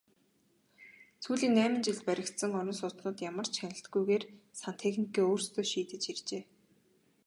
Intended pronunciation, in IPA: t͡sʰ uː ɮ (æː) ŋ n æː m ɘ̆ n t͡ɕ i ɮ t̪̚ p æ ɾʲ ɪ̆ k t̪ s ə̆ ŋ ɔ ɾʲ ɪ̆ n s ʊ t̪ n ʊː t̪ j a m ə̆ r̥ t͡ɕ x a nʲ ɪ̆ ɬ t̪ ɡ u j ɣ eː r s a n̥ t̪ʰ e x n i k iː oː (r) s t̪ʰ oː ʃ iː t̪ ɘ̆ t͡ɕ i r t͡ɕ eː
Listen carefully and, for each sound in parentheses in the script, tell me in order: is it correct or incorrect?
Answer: incorrect, correct

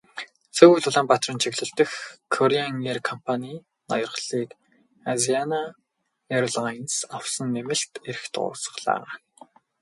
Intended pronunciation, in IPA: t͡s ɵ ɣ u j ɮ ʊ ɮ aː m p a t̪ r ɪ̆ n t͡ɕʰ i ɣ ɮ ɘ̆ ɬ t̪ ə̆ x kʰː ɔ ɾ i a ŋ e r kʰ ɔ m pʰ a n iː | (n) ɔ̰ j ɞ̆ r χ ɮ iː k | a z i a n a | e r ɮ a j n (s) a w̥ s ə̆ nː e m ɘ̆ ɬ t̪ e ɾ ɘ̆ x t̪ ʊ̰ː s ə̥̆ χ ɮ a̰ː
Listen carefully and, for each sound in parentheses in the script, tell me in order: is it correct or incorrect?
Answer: correct, correct

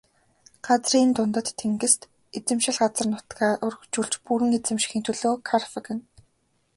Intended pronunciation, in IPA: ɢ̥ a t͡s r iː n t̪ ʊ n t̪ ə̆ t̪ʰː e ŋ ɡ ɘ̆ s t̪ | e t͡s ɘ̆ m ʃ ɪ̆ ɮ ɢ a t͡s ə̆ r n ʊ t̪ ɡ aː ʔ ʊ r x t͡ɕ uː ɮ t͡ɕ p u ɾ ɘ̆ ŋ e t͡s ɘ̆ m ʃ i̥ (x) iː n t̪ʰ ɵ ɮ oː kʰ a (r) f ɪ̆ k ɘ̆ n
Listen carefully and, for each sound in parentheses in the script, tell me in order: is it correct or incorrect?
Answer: correct, correct

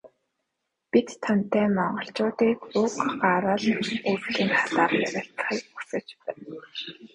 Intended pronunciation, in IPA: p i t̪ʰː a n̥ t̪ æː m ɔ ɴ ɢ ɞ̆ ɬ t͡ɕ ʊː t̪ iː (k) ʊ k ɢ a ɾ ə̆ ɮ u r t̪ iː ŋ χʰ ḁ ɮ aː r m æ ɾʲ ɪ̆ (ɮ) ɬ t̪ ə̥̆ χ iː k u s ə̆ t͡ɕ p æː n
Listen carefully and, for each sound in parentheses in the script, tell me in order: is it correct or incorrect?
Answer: correct, incorrect

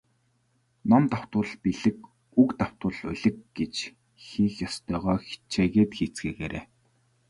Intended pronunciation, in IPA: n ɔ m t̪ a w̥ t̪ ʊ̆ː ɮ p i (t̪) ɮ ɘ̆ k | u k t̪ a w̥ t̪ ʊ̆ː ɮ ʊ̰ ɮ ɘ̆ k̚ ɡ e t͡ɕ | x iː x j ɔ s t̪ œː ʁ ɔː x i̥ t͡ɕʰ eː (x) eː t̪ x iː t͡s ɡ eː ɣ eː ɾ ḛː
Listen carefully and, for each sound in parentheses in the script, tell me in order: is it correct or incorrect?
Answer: incorrect, incorrect

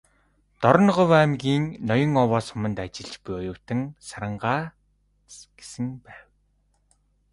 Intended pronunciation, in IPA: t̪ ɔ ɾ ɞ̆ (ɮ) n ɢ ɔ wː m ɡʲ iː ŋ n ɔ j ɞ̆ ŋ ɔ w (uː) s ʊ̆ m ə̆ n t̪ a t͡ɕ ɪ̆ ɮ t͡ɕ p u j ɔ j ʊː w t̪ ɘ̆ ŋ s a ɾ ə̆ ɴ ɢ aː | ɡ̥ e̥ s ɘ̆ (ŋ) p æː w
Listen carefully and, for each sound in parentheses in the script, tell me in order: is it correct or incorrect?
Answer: incorrect, incorrect, correct

